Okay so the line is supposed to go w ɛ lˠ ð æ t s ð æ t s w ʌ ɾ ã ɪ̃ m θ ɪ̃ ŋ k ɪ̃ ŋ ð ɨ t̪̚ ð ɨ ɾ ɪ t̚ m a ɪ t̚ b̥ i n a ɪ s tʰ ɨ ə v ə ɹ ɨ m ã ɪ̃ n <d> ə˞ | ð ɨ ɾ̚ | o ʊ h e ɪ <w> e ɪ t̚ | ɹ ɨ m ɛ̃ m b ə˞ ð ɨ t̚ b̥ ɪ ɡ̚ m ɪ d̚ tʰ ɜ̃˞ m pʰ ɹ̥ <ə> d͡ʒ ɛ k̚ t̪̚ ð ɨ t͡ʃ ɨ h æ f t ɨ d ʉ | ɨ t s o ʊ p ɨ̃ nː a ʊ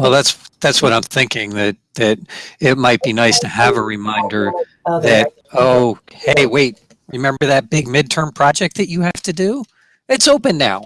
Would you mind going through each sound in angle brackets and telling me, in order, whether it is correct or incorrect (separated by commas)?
correct, correct, incorrect